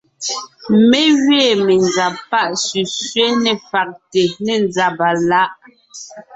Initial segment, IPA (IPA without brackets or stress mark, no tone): m